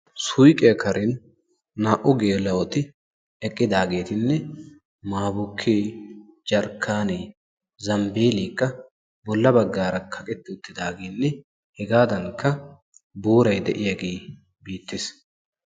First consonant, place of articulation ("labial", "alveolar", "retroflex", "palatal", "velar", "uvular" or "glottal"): alveolar